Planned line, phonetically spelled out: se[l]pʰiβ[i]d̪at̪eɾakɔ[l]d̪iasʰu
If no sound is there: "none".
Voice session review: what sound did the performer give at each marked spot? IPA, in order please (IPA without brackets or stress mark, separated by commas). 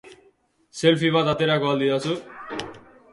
l, a, l